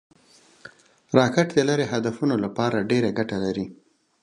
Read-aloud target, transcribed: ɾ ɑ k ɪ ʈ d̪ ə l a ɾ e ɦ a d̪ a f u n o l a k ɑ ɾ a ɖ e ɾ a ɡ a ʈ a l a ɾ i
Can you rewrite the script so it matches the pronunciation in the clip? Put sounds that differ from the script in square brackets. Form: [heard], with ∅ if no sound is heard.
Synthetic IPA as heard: ɾ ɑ k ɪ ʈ d̪ ə l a ɾ e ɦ a d̪ a f u n o l a [p] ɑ ɾ a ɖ e ɾ a ɡ a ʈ a l a ɾ i